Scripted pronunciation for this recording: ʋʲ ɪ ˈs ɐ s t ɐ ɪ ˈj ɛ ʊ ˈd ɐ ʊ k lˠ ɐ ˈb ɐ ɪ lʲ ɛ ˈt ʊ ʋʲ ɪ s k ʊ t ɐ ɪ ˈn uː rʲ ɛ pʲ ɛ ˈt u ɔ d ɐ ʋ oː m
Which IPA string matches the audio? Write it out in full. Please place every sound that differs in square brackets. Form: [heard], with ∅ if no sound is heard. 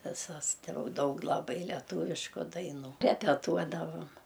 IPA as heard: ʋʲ ɪ ˈs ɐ s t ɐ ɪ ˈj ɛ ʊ ˈd ɐ ʊ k lˠ ɐ ˈb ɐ ɪ lʲ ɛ ˈt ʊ ʋʲ ɪ [ʃ] k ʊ [d] ɐ ɪ ˈn uː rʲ ɛ pʲ ɛ ˈt u ɔ d ɐ ʋ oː m